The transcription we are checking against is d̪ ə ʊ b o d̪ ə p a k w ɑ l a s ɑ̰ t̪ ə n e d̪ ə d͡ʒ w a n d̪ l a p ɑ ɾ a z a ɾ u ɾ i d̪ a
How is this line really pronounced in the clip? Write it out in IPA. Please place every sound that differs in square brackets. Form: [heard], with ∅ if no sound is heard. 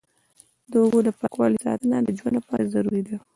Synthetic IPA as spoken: d̪ ə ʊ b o d̪ ə p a k w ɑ l [i] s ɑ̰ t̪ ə n [a] d̪ ə d͡ʒ w a n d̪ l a p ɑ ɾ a z a ɾ u ɾ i d̪ a